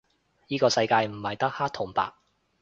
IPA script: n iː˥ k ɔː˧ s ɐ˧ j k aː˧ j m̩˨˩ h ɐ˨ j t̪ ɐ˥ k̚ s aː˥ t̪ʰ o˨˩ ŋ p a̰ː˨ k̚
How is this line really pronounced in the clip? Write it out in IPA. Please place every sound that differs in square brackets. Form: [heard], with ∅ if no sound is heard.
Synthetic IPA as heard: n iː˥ k ɔː˧ s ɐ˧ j k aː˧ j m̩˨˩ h ɐ˨ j t̪ ɐ˥ k̚ [h] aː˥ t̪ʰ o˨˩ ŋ p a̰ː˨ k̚